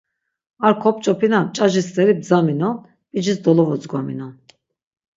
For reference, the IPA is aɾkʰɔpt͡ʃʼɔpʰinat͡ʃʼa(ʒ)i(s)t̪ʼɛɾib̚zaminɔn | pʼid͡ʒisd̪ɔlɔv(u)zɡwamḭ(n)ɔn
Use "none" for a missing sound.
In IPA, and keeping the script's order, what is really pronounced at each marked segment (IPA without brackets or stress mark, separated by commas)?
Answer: ʒ, s, ɔ, n